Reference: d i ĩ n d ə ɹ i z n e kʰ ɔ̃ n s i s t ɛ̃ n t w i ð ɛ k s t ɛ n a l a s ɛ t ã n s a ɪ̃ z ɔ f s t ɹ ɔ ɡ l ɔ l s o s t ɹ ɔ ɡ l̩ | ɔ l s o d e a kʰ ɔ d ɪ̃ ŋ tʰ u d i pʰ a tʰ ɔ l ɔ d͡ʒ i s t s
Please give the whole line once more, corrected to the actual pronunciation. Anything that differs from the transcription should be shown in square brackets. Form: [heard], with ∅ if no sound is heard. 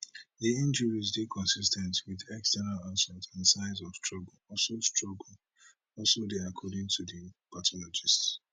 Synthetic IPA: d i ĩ n [d͡ʒ] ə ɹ i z [d] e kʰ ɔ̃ n s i s t ɛ̃ n t w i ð ɛ k s t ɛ n a l a s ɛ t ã n s a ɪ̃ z ɔ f s t ɹ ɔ ɡ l ɔ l s o s t ɹ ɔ ɡ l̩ | ɔ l s o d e a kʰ ɔ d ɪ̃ ŋ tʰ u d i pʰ a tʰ ɔ l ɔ d͡ʒ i s t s